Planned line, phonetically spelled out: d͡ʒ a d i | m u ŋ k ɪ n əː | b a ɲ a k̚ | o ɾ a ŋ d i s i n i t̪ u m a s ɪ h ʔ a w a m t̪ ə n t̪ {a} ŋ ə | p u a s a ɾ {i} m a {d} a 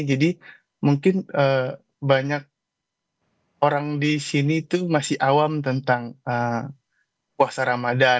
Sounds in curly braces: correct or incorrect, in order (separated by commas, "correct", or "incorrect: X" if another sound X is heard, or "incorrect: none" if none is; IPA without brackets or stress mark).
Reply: correct, incorrect: a, correct